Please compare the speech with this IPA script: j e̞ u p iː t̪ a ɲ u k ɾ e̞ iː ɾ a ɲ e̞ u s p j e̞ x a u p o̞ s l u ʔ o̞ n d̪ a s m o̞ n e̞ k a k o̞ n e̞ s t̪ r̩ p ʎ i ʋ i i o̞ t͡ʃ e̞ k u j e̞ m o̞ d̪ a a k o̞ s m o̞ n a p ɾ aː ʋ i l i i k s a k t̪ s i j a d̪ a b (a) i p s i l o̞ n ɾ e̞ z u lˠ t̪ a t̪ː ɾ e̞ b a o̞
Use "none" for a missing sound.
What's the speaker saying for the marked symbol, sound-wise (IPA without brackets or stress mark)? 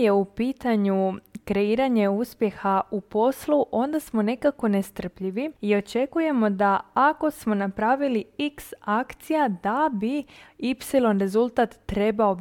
i